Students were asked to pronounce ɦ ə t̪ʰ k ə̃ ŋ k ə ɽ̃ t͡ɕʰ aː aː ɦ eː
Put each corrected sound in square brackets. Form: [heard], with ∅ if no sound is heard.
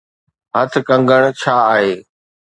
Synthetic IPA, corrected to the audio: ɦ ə t̪ʰ k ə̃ ŋ [ɡ] ə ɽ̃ t͡ɕʰ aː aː ɦ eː